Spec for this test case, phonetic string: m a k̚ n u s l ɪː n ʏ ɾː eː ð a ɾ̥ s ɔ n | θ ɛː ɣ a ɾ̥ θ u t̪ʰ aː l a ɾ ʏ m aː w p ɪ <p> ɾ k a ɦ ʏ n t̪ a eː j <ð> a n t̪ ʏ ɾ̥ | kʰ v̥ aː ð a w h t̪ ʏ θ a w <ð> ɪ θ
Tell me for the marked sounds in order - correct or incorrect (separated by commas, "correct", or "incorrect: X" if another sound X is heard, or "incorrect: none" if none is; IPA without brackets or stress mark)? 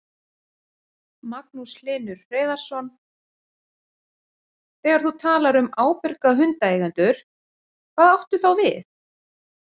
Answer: incorrect: none, incorrect: ɣ, incorrect: v